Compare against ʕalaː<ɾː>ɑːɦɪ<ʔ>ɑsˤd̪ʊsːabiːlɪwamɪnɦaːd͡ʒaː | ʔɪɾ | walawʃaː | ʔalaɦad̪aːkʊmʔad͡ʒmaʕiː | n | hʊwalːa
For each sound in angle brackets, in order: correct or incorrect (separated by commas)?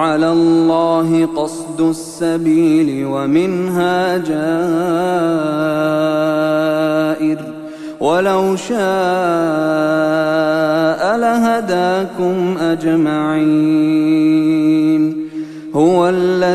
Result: incorrect, incorrect